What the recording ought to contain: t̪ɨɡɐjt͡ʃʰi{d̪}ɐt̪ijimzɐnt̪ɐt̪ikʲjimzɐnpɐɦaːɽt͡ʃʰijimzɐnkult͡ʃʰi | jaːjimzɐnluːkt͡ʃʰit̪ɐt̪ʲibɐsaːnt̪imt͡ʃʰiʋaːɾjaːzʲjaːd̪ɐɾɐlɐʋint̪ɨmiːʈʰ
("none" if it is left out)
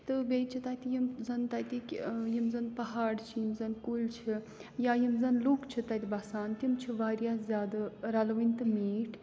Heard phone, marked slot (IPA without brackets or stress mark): t̪